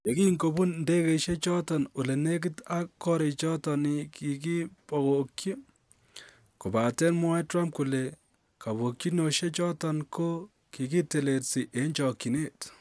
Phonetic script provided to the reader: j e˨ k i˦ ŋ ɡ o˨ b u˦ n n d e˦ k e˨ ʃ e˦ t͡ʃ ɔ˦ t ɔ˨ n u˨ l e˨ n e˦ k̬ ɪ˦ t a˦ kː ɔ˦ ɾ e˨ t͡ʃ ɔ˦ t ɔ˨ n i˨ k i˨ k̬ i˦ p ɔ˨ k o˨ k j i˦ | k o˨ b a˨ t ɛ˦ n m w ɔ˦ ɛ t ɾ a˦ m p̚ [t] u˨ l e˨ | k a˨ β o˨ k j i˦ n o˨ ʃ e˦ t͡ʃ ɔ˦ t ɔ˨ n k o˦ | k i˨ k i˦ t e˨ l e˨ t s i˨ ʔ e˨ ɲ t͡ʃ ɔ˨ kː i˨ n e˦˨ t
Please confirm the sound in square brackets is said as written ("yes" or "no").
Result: no